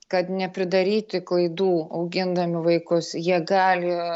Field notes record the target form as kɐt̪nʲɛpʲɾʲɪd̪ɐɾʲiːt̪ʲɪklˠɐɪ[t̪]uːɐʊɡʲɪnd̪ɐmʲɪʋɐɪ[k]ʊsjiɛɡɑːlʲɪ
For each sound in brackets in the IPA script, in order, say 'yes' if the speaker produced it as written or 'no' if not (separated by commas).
no, yes